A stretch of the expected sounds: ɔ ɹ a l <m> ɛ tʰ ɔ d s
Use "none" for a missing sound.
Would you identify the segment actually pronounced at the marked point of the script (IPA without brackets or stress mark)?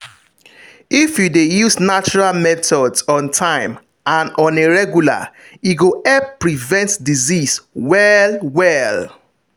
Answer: m